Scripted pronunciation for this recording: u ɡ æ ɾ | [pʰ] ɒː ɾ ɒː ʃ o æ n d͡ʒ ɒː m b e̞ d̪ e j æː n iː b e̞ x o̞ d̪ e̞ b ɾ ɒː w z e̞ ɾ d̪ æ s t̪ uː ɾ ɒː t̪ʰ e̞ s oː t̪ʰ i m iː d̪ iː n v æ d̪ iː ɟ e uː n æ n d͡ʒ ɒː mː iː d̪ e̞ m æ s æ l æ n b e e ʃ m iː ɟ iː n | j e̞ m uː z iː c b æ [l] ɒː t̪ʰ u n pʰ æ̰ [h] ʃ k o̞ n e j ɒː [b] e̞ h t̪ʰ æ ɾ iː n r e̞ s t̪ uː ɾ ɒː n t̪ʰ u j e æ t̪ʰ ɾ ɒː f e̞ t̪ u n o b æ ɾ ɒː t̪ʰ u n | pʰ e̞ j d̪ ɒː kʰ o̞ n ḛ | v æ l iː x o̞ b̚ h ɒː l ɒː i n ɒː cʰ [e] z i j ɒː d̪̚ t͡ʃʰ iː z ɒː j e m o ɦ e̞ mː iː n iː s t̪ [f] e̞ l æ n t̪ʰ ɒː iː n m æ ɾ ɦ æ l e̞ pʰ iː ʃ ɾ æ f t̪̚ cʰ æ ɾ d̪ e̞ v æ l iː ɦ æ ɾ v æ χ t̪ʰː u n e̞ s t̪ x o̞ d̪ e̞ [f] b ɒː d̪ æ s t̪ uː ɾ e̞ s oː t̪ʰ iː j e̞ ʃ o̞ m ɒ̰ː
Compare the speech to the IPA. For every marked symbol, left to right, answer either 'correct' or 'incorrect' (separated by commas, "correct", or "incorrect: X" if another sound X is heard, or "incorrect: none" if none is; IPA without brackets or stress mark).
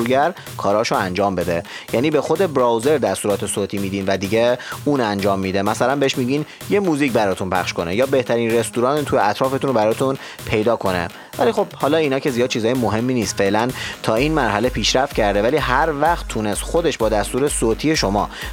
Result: incorrect: kʰ, incorrect: ɾ, incorrect: χ, correct, correct, correct, incorrect: ʃ